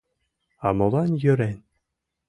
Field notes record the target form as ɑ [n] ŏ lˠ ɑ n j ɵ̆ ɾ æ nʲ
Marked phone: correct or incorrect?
incorrect